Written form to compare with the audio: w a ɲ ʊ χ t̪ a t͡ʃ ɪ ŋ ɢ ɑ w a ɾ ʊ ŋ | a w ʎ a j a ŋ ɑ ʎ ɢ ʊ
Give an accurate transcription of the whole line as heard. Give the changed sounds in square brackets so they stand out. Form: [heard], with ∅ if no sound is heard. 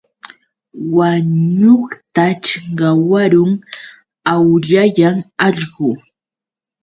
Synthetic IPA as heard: w a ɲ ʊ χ t̪ a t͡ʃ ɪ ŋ ɢ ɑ w a ɾ ʊ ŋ | a w ʎ a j a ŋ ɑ ʎ ɢ ʊ